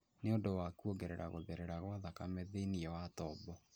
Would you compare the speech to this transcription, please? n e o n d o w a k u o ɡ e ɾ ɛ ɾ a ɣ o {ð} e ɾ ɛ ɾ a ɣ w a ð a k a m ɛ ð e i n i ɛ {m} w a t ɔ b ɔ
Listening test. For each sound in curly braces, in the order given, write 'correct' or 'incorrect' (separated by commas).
correct, incorrect